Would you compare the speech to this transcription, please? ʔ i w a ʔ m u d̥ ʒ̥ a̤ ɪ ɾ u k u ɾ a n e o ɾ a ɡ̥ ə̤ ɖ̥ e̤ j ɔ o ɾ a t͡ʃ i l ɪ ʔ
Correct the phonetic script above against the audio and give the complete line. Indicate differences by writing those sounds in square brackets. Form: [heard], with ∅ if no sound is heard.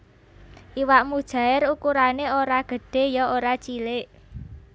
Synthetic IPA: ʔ i w a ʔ m u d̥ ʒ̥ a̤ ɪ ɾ u k u ɾ a n e o ɾ a ɡ̥ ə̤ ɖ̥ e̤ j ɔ o ɾ a t͡ʃ i l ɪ ʔ